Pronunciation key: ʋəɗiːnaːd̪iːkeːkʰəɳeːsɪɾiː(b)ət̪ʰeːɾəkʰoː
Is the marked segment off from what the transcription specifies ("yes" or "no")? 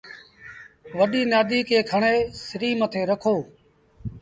yes